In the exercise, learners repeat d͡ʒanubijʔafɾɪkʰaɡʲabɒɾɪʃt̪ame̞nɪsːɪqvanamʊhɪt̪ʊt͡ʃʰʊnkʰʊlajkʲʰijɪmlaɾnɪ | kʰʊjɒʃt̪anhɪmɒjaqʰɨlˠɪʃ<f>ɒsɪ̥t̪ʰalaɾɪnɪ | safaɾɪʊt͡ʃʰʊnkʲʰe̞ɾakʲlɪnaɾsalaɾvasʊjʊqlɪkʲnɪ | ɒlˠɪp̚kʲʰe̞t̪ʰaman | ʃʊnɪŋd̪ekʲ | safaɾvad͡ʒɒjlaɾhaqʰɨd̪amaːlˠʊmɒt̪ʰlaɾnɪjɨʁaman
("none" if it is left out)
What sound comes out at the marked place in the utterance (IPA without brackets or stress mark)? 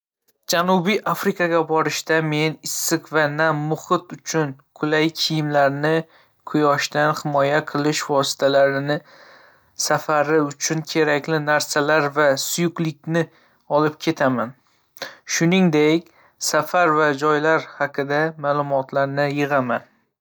v